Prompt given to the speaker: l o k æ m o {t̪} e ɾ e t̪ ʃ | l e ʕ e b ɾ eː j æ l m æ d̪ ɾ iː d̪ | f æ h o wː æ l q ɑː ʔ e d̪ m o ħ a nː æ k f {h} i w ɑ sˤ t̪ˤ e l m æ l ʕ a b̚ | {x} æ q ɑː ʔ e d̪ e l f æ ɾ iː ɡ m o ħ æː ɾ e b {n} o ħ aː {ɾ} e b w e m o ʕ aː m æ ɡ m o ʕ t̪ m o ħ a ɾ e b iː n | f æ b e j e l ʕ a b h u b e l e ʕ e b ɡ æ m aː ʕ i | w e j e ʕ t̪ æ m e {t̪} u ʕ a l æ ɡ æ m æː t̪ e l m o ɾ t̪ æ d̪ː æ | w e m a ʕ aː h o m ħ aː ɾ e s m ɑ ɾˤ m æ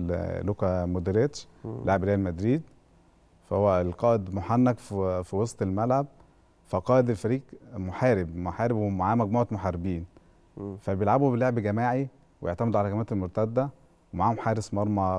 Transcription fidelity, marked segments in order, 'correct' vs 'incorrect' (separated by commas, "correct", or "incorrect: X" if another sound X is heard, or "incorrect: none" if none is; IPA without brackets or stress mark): incorrect: d̪, incorrect: f, incorrect: f, incorrect: m, correct, incorrect: d̪